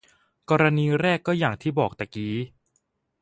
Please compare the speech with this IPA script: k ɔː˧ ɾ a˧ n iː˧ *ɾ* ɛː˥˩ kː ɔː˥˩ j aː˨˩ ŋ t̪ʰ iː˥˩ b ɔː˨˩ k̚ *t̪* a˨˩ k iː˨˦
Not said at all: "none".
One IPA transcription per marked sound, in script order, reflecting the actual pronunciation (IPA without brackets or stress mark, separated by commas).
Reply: ɾ, t̪